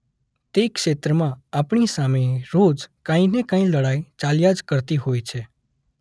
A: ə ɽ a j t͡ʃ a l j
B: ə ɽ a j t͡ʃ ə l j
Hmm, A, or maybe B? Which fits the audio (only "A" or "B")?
A